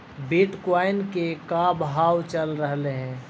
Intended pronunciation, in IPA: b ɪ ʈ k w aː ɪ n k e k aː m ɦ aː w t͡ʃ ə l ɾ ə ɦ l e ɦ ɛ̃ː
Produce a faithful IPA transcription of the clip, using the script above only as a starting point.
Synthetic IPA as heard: b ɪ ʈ k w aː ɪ n k e k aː b ɦ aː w t͡ʃ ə l ɾ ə ɦ l e ɦ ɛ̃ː